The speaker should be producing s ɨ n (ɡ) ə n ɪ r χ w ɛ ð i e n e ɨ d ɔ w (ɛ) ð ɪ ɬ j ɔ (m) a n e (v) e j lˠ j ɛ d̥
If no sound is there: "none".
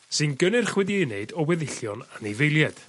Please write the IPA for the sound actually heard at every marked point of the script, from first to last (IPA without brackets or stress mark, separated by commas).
ɡ, ɛ, n, v